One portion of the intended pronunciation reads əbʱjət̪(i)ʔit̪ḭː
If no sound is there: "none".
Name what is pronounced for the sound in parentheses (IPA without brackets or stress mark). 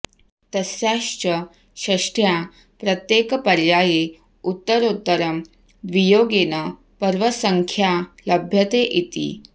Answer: e